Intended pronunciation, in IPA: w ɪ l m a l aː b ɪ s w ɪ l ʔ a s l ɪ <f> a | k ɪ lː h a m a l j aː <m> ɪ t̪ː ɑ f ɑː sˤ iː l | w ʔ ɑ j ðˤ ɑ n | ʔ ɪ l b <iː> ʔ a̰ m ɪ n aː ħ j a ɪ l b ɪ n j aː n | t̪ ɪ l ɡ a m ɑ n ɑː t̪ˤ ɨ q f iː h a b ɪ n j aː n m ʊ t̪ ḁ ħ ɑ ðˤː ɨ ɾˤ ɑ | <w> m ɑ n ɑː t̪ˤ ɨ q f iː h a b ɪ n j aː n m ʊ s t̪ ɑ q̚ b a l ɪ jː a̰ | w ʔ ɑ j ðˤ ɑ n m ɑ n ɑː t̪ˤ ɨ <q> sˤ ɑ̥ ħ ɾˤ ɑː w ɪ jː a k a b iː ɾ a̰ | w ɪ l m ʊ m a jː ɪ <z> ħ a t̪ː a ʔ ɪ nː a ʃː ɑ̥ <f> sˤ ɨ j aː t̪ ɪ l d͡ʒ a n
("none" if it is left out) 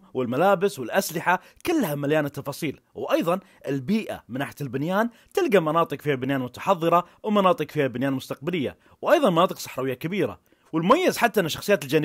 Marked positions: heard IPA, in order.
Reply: ħ, n, iː, w, q, z, x

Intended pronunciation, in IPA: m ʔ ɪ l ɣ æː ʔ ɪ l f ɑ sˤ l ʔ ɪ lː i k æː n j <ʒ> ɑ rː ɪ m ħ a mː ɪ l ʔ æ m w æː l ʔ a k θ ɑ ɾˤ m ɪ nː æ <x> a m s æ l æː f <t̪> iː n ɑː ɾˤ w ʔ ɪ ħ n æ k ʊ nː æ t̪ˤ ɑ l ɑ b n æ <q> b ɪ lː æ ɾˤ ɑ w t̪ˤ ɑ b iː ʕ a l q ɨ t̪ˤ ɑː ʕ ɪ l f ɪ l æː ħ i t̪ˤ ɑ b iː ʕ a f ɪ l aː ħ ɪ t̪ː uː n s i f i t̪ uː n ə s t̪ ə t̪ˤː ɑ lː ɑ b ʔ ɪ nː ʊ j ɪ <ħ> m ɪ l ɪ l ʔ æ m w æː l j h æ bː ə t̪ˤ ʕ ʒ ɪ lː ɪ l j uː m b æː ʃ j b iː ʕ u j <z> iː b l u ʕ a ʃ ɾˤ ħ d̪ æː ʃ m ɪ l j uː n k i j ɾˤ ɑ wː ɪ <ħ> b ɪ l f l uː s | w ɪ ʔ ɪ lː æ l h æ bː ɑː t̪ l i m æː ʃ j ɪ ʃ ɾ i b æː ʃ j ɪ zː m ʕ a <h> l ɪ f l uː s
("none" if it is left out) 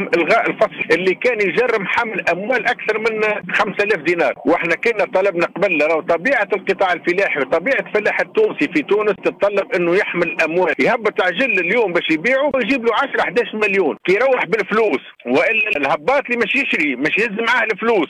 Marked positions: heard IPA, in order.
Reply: ʒ, x, d̪, q, ħ, ʒ, ħ, h

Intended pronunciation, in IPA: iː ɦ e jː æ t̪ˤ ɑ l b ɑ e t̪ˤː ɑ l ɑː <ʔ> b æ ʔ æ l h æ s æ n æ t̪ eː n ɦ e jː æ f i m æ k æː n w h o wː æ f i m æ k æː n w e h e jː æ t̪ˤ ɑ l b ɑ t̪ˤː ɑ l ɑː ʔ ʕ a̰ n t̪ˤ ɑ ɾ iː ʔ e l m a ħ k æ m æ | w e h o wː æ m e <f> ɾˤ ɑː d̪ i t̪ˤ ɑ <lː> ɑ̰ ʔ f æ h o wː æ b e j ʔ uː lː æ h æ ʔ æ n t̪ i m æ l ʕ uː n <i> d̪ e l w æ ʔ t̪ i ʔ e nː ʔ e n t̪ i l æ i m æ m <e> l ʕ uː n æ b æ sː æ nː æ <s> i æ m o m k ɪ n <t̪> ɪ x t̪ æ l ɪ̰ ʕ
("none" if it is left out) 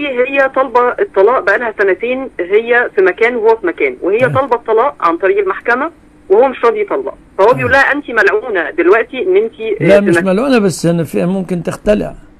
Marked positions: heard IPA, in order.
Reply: ʔ, ʃ, lː, æ, æ, f, t̪

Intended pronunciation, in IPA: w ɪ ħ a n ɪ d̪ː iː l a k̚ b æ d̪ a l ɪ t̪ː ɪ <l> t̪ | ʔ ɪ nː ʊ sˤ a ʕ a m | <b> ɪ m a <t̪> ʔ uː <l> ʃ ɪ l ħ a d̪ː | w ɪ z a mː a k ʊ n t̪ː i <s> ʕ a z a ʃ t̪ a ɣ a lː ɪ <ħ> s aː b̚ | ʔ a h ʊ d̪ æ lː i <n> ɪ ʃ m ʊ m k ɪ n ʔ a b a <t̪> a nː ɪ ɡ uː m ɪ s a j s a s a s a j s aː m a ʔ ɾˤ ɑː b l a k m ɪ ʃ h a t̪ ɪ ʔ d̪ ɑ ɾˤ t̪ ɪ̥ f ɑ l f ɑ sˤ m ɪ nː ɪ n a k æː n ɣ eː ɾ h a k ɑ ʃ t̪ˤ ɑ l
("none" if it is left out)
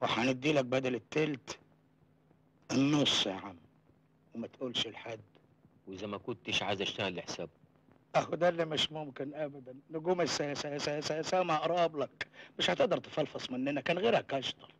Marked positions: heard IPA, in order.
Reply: l, w, t̪, l, ʃ, ħ, m, d̪

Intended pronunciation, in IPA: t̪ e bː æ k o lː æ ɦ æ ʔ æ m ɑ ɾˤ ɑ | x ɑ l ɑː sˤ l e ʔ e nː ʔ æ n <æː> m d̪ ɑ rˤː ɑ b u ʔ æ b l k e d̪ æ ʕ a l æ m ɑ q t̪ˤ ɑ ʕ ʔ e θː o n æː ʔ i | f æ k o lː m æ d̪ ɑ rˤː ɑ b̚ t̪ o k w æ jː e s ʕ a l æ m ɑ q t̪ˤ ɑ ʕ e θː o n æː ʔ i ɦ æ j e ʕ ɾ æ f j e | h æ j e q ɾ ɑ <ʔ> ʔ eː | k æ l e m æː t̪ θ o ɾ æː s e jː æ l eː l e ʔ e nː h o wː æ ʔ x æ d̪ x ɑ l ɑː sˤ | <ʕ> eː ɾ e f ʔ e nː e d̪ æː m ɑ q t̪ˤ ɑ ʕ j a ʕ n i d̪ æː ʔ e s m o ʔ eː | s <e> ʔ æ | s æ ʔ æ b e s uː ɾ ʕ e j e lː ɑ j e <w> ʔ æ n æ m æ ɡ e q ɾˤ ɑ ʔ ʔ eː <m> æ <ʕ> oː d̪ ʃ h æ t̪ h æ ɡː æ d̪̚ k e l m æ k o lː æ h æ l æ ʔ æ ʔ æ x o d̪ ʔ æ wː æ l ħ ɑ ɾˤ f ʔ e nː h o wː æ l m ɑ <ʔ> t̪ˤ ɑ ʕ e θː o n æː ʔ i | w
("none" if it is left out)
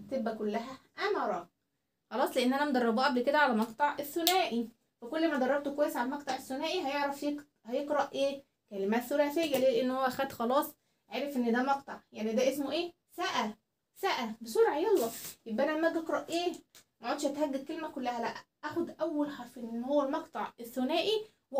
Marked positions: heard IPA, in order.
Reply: æ, ʔ, ʕ, æ, b, m, ʕ, q

